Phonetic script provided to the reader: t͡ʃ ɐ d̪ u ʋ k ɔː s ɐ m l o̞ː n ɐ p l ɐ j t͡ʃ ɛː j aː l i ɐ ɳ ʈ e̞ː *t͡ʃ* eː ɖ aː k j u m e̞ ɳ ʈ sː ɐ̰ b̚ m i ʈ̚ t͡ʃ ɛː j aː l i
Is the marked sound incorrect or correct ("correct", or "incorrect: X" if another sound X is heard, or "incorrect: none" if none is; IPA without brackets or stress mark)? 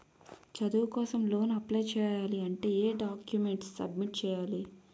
incorrect: none